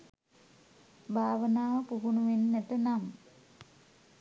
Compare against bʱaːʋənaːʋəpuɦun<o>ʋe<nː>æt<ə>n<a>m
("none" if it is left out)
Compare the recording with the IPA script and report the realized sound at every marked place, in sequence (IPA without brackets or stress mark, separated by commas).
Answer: u, nː, ə, a